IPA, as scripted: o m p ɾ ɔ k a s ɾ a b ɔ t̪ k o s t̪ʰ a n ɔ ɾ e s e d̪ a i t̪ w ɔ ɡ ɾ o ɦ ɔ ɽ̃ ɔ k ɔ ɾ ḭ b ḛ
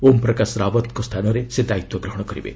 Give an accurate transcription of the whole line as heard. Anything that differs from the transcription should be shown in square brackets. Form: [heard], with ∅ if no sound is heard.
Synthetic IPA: o m p ɾ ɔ k a s ɾ a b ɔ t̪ k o s t̪ʰ a n ɔ ɾ e s e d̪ a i t̪ w ɔ ɡ ɾ [ɔ] ɦ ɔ ɽ̃ ɔ k ɔ ɾ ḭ b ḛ